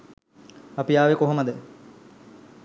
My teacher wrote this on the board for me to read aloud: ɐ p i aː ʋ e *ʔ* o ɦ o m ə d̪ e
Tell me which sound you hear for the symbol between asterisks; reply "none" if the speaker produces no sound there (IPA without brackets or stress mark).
k